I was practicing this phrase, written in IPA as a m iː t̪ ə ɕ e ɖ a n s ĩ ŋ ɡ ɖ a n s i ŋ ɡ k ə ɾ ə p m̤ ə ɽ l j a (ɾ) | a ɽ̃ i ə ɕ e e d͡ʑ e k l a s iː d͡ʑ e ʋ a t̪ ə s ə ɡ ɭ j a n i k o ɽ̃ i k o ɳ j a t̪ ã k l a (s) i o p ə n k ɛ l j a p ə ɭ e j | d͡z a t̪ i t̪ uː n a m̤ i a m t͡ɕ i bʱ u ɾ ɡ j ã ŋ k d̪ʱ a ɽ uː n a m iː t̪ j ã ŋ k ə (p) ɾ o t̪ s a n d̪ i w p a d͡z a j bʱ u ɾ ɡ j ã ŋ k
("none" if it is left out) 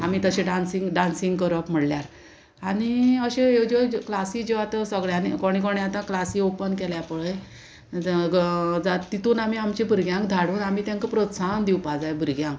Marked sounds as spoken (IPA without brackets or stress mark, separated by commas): ɾ, s, p